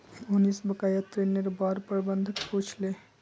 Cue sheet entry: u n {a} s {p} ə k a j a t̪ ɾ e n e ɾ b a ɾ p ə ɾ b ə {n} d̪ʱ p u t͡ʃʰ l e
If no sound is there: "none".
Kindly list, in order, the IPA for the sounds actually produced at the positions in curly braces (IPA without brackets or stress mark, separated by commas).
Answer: i, b, n